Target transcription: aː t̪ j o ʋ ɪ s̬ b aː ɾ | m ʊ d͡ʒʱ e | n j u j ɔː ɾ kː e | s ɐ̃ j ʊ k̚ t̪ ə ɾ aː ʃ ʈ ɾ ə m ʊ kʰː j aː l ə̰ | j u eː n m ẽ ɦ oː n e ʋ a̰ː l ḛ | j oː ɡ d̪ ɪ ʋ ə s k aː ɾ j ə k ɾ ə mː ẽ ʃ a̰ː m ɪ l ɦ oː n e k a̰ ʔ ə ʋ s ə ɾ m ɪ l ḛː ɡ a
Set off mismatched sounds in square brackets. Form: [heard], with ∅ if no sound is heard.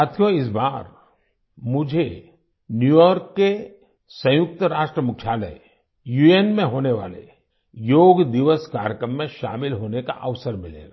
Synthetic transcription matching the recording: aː [t̪ʰ] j o [∅] ɪ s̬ b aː ɾ | m ʊ d͡ʒʱ e | n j u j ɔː ɾ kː e | s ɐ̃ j ʊ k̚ t̪ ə ɾ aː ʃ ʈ ɾ ə m ʊ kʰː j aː l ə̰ | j u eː n m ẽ ɦ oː n e ʋ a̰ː l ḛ | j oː ɡ d̪ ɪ ʋ ə s k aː ɾ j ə k ɾ ə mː ẽ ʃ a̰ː m ɪ l ɦ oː n e k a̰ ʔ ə ʋ s ə ɾ m ɪ l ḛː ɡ a